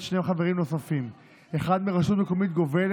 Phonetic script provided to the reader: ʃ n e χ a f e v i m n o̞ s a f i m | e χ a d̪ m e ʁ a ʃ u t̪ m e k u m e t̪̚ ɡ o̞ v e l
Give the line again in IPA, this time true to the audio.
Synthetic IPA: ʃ n e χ a v e ʁ i m n o̞ s a f i m | e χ a d̪ m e ʁ a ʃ u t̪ m e k o m i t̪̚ ɡ o̞ v e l

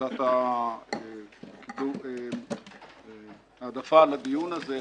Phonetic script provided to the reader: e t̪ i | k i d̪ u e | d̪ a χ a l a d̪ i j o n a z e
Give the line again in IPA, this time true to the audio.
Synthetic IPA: a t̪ a | k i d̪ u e | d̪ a f a l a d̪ i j u n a z e

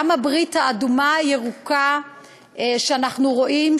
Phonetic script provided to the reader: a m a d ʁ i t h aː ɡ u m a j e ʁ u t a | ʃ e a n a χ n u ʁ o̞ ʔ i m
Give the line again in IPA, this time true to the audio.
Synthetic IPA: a m a b ʁ i t h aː d u m a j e ʁ u k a | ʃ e a n a χ n u ʁ o̞ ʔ i m

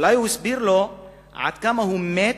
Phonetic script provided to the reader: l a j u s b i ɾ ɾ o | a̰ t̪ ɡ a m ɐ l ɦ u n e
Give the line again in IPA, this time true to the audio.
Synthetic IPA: l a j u s b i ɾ l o | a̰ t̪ k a m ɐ ɦ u m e

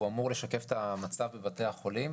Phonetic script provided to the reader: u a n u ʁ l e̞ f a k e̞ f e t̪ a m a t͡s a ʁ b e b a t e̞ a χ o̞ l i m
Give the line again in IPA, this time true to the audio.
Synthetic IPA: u a m u ʁ l e̞ ʃ a k e̞ f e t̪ a m a t͡s a v b e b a t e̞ a χ o̞ l i m

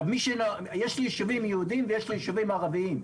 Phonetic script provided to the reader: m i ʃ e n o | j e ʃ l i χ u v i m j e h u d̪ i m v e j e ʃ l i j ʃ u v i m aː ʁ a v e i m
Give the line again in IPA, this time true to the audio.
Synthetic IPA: m i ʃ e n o | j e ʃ l i ʃ u v i m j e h u d̪ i m v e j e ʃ l i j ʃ u v i m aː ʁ a v i i m

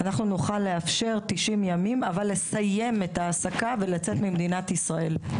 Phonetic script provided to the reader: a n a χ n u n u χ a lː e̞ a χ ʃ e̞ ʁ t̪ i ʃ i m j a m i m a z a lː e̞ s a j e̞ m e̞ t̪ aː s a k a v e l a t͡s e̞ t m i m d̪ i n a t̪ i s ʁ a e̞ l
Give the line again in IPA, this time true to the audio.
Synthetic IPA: a n a χ n u n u χ a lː e̞ a f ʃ e̞ ʁ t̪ i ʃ i m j a m i m a v a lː e̞ s a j e̞ m e̞ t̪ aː s a k a v e l a t͡s e̞ t m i m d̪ i n a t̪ i s ʁ a e̞ l

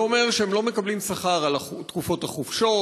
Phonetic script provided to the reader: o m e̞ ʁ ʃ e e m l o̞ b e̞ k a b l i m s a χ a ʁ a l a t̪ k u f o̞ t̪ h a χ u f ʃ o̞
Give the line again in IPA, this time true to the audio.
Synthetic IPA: o m e̞ ʁ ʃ e e m l o̞ m e̞ k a b l i m s a χ a ʁ a l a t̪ k u f o̞ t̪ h a χ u f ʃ o̞

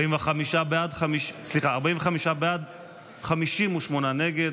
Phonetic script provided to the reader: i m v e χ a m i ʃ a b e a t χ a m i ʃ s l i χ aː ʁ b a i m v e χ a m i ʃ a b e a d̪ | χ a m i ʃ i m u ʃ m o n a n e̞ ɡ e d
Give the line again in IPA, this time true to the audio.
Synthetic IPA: i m v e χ a m i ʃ a b e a d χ a m i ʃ s l i χ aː ʁ b a i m v e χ a m i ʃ a b e a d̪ | χ a m i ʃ i m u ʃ m o n a n e̞ ɡ e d

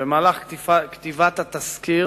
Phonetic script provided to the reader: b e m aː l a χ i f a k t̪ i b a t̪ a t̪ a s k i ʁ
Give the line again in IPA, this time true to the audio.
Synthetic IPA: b e m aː l a χ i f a k t̪ i v a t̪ a t̪ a s k i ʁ

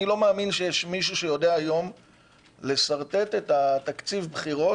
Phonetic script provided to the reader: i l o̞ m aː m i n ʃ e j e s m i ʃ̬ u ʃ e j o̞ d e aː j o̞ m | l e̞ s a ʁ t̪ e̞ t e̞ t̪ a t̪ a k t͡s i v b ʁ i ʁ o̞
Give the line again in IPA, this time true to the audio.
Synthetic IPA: i l o̞ m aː m i n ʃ e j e ʃ m i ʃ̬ u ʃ e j o̞ d e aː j o̞ m | l e̞ s a ʁ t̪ e̞ t e̞ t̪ a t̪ a k t͡s i v b χ i ʁ o̞

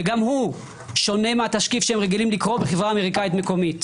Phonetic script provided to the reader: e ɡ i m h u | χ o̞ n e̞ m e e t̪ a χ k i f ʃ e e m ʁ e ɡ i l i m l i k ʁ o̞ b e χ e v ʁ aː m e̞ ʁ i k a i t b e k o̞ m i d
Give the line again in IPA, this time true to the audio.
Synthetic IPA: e ɡ a m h u | ʃ o̞ n e̞ m e a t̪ a ʃ k i f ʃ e e m ʁ e ɡ i l i m l i k ʁ o̞ b e χ e v ʁ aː m e̞ ʁ i k a i t m e k o̞ m i t

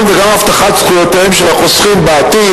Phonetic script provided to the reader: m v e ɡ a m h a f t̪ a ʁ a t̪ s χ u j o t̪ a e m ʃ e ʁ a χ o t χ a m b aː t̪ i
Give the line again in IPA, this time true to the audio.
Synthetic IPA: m v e ɡ a m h a f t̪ a χ a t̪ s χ u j o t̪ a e m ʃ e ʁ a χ o s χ i m b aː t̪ i

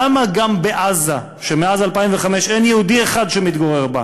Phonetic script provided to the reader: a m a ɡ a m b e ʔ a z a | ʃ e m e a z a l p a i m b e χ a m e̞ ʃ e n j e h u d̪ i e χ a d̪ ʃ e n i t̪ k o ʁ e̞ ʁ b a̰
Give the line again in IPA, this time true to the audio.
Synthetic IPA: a m a ɡ a m b e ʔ a z a | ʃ e m e a z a l p a i m v e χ a m e̞ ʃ e n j e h u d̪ i e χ a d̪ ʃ e m i t̪ ɡ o ʁ e̞ ʁ b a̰

